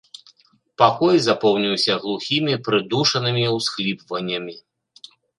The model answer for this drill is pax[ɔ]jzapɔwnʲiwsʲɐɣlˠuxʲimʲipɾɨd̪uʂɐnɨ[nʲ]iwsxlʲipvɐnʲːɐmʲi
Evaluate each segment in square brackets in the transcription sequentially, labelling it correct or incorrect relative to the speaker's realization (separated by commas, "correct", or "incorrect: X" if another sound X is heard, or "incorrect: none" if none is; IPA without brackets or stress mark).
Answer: correct, incorrect: mʲ